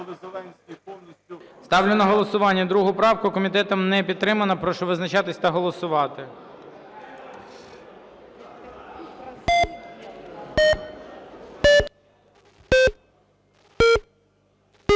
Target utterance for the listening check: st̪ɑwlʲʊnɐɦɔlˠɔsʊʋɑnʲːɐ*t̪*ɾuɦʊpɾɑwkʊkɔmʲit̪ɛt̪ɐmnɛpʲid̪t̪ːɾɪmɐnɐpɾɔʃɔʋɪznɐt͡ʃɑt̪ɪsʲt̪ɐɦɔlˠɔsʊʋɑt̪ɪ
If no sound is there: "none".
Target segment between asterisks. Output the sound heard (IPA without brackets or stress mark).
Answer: d̪